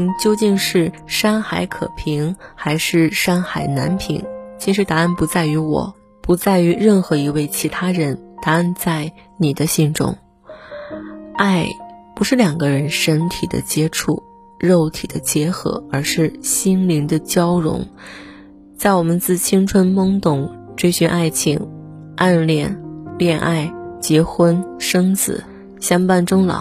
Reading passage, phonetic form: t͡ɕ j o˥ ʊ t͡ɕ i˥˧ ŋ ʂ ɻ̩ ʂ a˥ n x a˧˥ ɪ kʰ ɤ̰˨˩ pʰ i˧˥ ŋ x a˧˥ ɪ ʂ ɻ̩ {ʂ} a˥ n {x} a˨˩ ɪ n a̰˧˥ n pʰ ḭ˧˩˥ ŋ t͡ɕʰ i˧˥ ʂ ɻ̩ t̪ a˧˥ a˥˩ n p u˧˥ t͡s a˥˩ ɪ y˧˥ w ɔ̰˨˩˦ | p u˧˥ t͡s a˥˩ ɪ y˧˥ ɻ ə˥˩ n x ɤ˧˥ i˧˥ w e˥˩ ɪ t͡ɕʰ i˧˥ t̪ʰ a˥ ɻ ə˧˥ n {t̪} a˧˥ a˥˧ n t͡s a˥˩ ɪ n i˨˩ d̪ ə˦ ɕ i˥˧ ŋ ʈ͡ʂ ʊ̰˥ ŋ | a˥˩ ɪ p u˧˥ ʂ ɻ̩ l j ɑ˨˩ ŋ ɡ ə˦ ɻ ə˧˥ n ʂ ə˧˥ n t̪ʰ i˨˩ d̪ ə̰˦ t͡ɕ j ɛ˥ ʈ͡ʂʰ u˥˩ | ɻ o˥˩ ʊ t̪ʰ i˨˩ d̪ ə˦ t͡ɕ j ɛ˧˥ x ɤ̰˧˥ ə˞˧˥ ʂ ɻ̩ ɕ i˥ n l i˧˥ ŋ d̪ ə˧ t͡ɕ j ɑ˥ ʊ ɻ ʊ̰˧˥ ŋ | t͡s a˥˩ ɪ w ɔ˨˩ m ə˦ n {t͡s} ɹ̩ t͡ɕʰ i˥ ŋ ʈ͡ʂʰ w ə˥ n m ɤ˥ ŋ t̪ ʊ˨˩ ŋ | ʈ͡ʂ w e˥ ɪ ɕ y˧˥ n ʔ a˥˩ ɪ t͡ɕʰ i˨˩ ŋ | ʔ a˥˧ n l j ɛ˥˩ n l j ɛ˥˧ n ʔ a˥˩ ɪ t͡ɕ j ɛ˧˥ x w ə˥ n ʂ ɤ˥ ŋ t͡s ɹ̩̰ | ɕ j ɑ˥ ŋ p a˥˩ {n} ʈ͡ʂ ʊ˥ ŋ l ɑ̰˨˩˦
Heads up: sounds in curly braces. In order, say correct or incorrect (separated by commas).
correct, correct, correct, correct, correct